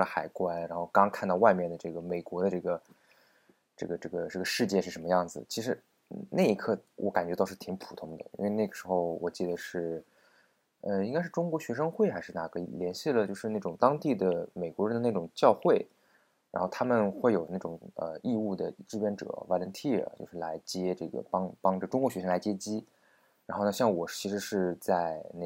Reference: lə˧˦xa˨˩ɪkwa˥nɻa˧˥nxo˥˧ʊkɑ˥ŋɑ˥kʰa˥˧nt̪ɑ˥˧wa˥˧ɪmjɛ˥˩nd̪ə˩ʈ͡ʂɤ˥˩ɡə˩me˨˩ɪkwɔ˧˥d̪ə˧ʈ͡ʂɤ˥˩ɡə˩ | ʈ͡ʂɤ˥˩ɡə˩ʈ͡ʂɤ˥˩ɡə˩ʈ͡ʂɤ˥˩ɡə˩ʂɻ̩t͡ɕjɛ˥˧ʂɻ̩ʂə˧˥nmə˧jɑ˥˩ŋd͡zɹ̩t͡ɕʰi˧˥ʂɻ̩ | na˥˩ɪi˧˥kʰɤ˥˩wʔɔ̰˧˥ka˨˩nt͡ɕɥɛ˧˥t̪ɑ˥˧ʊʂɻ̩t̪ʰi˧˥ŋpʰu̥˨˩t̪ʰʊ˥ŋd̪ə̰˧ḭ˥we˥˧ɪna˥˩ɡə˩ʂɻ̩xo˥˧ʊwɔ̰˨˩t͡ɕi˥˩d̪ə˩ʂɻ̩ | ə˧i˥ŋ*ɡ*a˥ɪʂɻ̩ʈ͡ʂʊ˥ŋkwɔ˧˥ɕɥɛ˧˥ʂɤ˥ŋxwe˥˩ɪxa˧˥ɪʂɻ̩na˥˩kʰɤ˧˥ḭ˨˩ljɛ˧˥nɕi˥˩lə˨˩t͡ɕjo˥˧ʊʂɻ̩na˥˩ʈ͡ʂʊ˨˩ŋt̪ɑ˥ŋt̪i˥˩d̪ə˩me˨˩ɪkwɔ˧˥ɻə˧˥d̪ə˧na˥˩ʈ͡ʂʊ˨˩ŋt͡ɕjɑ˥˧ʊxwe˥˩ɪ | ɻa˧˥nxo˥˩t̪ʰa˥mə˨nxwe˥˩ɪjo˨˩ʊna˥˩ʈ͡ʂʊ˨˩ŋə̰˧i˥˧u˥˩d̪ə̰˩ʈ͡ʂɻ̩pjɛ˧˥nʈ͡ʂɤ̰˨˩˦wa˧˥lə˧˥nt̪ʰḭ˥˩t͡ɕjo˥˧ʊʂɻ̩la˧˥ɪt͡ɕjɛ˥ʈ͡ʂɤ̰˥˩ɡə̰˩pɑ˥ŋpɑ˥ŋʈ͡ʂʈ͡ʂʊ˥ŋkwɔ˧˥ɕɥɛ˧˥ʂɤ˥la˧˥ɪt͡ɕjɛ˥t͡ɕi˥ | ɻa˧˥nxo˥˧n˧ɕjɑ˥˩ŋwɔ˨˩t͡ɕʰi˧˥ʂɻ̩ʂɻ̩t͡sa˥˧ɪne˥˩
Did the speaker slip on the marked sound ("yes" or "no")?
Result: yes